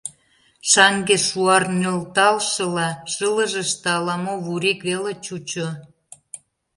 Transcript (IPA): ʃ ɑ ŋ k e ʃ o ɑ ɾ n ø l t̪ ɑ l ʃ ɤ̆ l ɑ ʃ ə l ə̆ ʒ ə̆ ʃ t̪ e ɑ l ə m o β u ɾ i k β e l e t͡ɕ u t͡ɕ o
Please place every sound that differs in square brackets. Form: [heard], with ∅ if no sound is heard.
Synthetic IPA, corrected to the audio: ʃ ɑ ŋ [ɡ] e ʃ [u] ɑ [r] n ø l t̪ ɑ l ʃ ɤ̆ l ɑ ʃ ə l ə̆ ʒ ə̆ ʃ t̪ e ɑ l [ɑ] m o β u ɾ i k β e l e t͡ɕ u t͡ɕ o